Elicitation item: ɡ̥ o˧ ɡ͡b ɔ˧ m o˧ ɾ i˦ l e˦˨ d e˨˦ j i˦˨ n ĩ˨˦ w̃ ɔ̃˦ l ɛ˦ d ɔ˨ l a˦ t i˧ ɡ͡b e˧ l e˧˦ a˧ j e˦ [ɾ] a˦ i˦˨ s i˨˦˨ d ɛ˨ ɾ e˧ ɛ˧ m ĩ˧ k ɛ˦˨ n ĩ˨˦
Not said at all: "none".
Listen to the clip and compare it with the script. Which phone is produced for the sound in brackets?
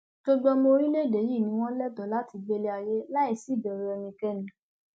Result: l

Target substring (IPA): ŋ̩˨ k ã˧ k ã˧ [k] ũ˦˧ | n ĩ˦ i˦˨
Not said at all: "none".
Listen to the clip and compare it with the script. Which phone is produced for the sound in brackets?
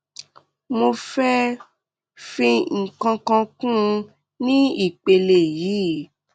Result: k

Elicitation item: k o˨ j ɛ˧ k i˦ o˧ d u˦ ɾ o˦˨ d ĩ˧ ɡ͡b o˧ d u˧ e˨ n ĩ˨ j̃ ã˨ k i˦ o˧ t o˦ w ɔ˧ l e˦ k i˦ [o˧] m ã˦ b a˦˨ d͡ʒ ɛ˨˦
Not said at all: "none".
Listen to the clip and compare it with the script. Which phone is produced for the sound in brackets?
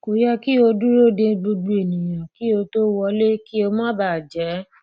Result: o˧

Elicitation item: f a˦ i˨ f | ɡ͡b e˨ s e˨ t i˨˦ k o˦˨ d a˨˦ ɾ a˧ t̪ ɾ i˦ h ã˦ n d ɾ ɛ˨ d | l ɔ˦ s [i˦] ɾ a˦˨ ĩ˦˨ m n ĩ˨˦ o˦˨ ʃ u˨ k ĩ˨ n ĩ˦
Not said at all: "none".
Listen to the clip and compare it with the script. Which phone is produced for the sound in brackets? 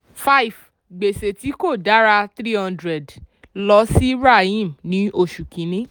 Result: i˦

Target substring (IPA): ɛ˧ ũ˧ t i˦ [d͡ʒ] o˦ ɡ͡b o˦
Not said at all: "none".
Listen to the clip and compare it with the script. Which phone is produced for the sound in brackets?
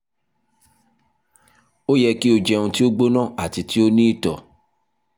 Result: none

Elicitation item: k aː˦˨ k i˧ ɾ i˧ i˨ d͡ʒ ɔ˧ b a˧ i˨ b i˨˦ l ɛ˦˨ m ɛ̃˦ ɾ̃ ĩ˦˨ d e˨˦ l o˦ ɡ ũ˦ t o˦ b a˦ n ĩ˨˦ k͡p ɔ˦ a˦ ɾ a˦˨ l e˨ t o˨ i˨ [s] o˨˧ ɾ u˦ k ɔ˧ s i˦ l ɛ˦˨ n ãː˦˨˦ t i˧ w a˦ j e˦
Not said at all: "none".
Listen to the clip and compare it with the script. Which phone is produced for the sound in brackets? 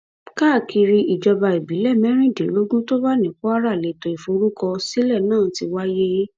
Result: f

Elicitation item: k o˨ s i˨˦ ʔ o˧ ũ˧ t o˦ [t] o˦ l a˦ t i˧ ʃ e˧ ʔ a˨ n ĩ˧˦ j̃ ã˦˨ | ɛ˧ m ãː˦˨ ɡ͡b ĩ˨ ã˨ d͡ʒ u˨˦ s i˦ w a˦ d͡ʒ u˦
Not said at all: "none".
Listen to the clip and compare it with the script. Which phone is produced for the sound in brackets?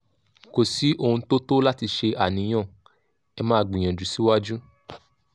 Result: t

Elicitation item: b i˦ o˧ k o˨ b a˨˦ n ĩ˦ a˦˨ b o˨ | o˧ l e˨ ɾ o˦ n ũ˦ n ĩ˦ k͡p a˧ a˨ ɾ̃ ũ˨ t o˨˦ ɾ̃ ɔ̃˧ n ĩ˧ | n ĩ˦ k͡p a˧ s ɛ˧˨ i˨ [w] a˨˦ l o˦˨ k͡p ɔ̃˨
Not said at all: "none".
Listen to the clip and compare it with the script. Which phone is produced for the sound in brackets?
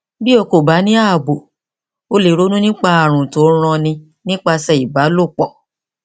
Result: b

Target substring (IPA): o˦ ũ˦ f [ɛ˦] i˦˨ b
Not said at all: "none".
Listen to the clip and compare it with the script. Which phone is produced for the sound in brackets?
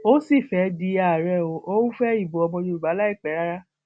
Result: ɛ˦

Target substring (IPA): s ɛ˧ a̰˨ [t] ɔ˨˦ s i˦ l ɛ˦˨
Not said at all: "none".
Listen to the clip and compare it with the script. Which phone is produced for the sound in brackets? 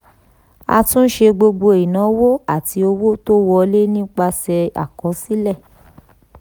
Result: k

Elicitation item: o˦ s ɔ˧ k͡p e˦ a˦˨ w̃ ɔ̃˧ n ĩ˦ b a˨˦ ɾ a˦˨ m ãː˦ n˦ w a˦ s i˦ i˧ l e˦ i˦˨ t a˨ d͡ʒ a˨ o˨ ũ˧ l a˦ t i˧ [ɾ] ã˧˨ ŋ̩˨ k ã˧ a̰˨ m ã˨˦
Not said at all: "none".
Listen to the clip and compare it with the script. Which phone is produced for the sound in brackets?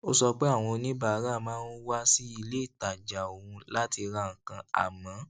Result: ɾ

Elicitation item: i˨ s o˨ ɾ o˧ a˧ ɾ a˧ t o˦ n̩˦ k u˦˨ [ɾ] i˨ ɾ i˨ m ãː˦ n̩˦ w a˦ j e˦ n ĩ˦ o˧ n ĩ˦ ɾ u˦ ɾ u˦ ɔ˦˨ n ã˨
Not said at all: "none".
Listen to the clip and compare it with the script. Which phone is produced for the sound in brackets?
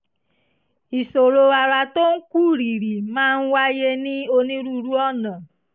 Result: ɾ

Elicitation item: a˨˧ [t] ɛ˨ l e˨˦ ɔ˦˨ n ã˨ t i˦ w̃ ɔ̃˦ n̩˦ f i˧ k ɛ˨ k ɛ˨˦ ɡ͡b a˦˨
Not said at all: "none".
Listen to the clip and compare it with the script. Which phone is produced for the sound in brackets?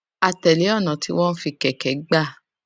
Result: t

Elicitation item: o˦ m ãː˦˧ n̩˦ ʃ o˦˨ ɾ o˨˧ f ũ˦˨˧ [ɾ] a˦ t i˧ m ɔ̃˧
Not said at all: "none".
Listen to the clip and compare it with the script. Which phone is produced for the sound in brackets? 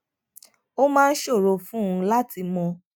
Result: l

